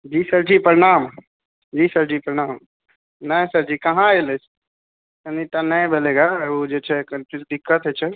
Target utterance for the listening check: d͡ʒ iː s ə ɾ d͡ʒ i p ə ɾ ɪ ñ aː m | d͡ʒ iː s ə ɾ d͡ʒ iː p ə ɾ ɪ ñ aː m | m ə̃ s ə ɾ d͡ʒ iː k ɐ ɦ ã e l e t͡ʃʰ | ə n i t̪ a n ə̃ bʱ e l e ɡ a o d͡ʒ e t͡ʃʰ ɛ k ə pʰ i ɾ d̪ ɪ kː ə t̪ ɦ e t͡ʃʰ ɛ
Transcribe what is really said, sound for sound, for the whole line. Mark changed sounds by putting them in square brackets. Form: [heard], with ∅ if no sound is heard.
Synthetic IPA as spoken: d͡ʒ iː s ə ɾ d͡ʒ i p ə ɾ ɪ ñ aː m | d͡ʒ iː s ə ɾ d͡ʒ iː p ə ɾ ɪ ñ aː m | [n] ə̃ s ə ɾ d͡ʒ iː k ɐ ɦ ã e l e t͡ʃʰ | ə n i t̪ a n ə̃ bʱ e l e ɡ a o d͡ʒ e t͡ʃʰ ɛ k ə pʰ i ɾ d̪ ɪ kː ə t̪ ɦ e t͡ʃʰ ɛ

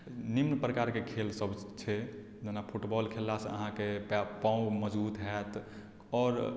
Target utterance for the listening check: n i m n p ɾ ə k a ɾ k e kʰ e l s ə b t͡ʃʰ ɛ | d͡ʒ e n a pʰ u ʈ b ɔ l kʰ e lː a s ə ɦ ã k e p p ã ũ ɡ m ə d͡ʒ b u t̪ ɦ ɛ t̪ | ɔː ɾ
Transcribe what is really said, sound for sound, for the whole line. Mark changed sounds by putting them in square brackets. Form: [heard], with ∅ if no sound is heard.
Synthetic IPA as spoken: n i m n p ɾ ə k a ɾ k e kʰ e l s ə b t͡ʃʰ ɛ | d͡ʒ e n a pʰ u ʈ b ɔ l kʰ e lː a s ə ɦ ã k e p p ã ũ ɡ m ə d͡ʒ b u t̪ ɦ ɛ t̪ | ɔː ɾ

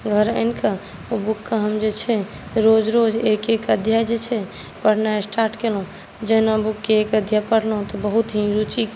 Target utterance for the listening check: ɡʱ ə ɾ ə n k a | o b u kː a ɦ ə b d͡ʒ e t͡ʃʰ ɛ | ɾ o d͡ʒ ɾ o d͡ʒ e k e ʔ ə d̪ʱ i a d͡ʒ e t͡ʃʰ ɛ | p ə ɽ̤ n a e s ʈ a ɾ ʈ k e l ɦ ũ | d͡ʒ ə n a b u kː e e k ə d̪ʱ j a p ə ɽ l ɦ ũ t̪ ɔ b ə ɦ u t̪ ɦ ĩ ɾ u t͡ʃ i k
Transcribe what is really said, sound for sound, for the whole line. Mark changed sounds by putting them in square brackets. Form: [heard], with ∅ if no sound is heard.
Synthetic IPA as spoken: ɡʱ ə ɾ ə n k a | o b u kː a ɦ ə [m] d͡ʒ e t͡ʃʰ ɛ | ɾ o d͡ʒ ɾ o d͡ʒ e k e [k] ə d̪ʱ [j] a d͡ʒ e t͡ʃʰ ɛ | p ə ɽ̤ n a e s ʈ a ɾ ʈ k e l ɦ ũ | d͡ʒ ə n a b u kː e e k ə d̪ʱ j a p ə ɽ l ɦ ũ t̪ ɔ b ə ɦ u t̪ ɦ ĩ ɾ u t͡ʃ i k

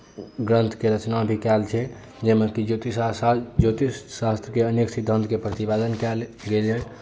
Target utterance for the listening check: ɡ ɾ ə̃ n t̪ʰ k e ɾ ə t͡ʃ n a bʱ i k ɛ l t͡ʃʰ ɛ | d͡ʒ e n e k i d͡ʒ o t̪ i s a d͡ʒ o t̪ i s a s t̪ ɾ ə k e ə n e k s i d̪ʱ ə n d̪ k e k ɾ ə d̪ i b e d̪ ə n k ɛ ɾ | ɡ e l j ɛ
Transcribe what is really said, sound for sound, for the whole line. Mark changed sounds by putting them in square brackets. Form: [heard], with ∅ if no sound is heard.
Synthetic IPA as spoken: ɡ ɾ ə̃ n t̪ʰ k e ɾ ə t͡ʃ n a bʱ i k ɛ l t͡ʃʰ ɛ | d͡ʒ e [m] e k i d͡ʒ o t̪ i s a d͡ʒ o t̪ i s a s t̪ ɾ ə k e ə n e k s i d̪ʱ ə n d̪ k e [p] ɾ ə [t̪] i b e d̪ ə n k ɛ [l] | ɡ e l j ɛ

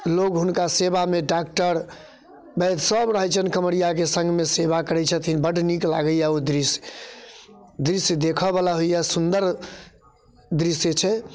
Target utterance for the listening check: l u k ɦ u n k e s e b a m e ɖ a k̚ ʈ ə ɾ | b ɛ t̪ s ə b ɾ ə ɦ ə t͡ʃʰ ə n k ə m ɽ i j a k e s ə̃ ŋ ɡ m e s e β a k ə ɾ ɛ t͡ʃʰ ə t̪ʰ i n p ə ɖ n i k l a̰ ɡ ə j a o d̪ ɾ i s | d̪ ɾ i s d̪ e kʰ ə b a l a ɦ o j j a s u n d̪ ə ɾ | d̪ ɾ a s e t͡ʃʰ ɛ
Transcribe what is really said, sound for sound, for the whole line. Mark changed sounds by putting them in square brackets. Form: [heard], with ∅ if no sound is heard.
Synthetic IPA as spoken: l [o] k ɦ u n k [a] s e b a m e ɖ a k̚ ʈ ə ɾ | b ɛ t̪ s ə b ɾ ə ɦ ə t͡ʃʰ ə n k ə m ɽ i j a k e s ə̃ ŋ ɡ m e s e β a k ə ɾ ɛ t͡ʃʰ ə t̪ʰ i n [b] ə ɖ n i k l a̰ ɡ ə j a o d̪ ɾ i s | d̪ ɾ i s d̪ e kʰ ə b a l a ɦ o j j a s u n d̪ ə ɾ | d̪ ɾ [i] s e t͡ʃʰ ɛ

